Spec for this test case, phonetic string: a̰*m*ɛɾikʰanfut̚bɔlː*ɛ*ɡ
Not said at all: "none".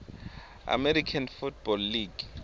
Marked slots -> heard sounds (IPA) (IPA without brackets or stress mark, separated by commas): m, i